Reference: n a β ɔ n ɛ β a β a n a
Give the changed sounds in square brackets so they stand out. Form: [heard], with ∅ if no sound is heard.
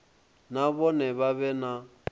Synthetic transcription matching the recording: n a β ɔ n ɛ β a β [ɛ] n a